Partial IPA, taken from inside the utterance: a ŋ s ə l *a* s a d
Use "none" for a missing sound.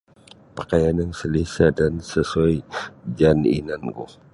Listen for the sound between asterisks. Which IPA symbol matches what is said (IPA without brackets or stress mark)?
i